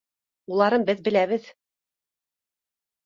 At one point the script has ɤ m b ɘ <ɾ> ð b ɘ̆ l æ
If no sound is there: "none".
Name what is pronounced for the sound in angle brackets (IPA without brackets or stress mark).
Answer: none